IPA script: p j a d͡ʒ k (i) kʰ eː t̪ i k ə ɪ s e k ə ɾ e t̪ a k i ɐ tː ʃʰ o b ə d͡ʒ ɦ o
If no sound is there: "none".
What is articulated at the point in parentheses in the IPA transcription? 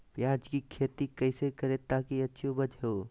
i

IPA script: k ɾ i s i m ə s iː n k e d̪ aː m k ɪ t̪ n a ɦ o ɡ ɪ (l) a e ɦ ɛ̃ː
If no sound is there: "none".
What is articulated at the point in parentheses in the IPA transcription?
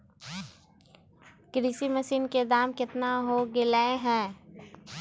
l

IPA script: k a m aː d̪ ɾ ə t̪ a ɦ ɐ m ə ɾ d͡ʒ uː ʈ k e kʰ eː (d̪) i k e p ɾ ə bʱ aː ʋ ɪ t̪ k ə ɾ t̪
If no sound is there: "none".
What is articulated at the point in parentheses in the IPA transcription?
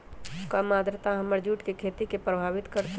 t̪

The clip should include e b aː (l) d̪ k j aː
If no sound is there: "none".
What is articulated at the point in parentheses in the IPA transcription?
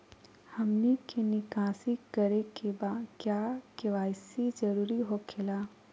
none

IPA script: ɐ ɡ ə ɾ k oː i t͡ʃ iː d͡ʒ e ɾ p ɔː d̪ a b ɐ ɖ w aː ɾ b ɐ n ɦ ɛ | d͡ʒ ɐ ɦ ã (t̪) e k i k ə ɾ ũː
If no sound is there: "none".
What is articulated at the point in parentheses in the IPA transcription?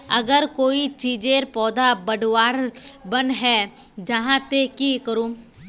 t̪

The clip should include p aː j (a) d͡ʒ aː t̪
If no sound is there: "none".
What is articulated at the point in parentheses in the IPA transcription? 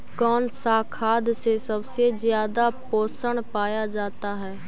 a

